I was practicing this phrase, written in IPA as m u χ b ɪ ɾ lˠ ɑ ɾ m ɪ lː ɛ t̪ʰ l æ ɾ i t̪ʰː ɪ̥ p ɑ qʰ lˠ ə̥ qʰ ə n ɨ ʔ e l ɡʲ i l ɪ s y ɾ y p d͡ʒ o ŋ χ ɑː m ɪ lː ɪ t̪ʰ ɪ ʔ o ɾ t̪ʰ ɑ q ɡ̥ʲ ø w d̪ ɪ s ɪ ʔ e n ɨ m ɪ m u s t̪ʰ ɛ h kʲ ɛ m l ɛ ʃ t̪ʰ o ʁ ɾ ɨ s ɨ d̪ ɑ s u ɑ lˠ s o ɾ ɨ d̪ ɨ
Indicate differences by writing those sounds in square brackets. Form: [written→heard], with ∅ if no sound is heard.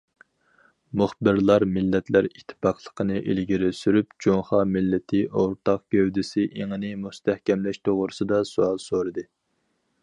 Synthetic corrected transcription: m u χ b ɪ ɾ lˠ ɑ ɾ m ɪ lː ɛ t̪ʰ l æ ɾ i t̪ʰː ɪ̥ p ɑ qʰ lˠ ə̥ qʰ ə n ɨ ʔ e l ɡʲ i [l→ɾ] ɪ s y ɾ y p d͡ʒ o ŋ χ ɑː m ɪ lː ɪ t̪ʰ ɪ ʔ o ɾ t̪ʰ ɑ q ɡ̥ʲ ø w d̪ ɪ s ɪ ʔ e [n→ŋ] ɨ [m→n] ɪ m u s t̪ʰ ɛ h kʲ ɛ m l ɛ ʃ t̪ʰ o ʁ ɾ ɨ s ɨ d̪ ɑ s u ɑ lˠ s o ɾ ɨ d̪ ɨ